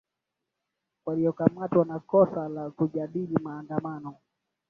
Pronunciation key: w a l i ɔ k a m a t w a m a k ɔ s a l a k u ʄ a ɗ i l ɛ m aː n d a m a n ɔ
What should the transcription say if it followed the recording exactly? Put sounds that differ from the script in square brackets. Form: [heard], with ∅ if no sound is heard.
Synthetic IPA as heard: w a l i ɔ k a m a t w a [n] a k ɔ s a l a k u ʄ a ɗ i l [i] m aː n d a m a n ɔ

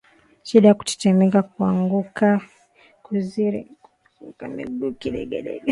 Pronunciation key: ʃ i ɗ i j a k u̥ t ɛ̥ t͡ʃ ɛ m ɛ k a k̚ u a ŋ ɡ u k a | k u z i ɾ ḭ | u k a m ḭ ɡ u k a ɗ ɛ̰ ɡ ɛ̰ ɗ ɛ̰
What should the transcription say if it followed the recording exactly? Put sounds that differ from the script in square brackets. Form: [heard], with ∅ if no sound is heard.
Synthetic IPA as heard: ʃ i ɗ [a] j a k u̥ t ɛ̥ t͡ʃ ɛ m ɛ k a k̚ u a ŋ ɡ u k a | k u z i ɾ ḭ | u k a m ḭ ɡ u k [i] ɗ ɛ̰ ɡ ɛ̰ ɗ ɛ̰

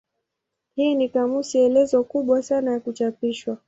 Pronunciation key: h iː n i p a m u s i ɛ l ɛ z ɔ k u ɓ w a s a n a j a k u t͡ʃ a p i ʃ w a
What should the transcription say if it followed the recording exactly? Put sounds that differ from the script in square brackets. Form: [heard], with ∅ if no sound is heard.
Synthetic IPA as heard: h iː n i [k] a m u s i ɛ l ɛ z ɔ k u ɓ w a s a n a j a k u t͡ʃ a p i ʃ w a

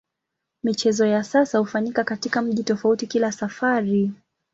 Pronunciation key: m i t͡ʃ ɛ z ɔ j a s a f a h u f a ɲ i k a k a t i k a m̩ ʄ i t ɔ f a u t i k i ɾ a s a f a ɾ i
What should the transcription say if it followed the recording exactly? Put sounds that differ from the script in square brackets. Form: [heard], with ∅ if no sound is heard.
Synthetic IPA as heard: m i t͡ʃ ɛ z ɔ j a s a [s] a h u f a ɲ i k a k a t i k a m̩ ʄ i t ɔ f a u t i k i [l] a s a f a ɾ i

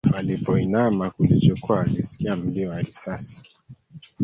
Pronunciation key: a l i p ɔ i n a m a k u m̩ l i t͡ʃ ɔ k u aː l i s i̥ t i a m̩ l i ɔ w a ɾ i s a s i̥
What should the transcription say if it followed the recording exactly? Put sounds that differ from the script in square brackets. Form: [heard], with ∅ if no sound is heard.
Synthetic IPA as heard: a l i p ɔ i n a m a k u [∅] l i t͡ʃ ɔ k u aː l i s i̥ [k] i a m̩ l i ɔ w a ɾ i s a s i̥

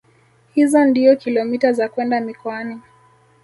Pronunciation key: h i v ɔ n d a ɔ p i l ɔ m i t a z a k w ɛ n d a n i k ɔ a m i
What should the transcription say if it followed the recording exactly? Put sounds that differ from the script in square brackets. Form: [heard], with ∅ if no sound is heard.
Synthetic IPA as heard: h i [z] ɔ n d [i] ɔ [k] i l ɔ m i t a z a k w ɛ n d a [m] i k ɔ a [n] i

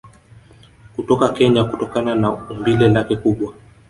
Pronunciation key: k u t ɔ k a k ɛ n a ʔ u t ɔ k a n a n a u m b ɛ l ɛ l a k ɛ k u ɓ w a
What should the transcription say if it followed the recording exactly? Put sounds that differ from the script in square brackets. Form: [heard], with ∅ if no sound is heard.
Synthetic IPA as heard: k u t ɔ k a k ɛ [ɲ] a [k] u t ɔ k a n a n a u m b [i] l ɛ l a k ɛ k u ɓ w a

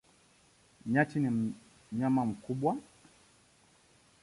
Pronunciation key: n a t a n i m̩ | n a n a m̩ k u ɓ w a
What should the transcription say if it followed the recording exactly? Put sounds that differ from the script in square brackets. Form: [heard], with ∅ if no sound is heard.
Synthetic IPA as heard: [ɲ] a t [i] n i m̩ | [ɲ] a [m] a m̩ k u ɓ w a

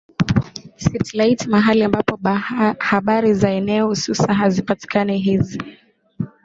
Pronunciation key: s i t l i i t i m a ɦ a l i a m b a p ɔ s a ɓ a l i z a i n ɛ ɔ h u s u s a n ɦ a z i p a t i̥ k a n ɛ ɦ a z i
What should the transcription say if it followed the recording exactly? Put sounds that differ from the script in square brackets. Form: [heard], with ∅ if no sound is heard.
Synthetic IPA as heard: s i t l [a] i t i m a ɦ a l i a m b a p ɔ [h] a ɓ a [ɾ] i z a [ɛ] n ɛ ɔ h u s u s a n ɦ a z i p a t i̥ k a n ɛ ɦ [i] z i

